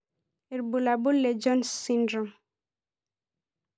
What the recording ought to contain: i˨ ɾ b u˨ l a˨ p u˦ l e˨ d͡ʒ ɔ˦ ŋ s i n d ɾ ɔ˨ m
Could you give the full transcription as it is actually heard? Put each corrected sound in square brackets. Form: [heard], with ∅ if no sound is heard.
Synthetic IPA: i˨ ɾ b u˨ l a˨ [b] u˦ l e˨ d͡ʒ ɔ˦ [n] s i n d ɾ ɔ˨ m